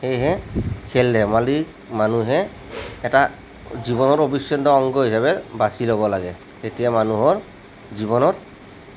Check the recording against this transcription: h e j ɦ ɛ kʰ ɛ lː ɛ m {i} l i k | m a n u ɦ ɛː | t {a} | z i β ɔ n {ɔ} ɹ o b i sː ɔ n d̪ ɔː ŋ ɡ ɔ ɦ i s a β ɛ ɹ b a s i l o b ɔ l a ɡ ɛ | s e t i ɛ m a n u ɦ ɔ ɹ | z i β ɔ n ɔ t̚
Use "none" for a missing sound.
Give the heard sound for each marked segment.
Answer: a, a, ɔ

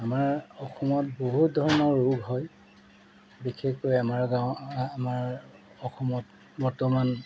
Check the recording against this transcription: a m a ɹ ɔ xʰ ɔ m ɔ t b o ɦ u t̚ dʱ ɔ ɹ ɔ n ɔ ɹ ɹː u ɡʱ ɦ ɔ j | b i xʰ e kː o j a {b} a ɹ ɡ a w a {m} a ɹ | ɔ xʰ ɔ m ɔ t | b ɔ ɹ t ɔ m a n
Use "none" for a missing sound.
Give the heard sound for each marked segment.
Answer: m, m

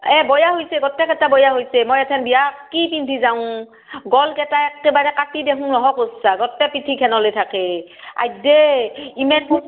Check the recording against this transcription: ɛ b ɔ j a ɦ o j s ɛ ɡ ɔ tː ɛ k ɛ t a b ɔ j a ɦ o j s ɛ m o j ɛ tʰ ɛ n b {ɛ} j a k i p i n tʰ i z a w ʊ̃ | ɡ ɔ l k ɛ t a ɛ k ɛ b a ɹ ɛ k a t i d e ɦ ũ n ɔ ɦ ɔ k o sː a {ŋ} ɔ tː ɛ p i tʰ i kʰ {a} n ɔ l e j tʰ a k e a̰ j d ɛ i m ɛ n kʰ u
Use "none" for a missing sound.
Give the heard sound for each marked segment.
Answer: i, ɡ, ɛ

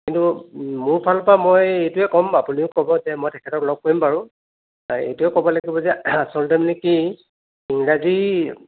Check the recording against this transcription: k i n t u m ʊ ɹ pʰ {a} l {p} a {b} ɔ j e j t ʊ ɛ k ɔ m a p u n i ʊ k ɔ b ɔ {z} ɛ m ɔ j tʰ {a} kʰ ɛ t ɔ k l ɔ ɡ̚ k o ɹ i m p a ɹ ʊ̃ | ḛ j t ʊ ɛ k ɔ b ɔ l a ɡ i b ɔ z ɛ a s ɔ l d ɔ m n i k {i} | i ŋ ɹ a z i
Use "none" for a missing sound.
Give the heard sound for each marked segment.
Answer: a, p, m, z, ɛ, i

